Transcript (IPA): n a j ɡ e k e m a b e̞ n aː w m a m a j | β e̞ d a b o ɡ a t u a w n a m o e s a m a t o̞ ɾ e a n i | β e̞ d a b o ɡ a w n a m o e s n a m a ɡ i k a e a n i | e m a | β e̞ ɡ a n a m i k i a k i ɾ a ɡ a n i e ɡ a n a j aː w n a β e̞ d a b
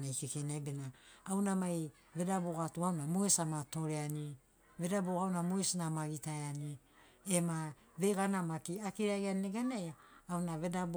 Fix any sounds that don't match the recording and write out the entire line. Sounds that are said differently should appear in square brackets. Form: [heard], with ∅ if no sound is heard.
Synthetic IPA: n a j [k] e k e [n] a b e̞ n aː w [n] a m a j | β e̞ d a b o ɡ a t u a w n a m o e s a m a t o̞ ɾ e a n i | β e̞ d a b o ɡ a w n a m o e s n a m a ɡ i [t] a e a n i | e m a | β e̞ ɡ a n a m [a] k i a k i ɾ a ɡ a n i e ɡ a n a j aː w n a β e̞ d a b